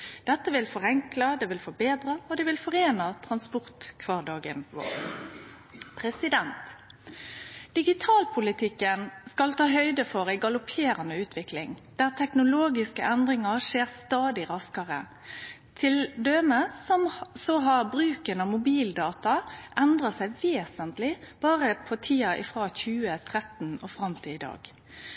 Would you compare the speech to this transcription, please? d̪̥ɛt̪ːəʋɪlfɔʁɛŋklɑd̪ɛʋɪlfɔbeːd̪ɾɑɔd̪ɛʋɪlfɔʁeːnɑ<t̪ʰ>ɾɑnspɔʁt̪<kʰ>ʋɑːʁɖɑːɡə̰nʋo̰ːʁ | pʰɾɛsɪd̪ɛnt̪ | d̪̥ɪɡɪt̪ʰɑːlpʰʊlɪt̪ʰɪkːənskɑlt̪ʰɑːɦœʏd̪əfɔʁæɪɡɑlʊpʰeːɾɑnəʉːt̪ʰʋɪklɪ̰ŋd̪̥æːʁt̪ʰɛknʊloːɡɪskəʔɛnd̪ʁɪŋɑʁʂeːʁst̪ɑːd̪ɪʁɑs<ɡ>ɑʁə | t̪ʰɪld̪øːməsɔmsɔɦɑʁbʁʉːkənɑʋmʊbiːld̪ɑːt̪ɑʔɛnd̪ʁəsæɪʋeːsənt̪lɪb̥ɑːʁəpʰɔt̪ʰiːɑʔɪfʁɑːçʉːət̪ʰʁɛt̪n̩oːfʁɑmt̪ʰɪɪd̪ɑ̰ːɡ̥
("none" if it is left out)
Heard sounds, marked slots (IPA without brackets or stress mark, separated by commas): t̪ʰ, kʰ, k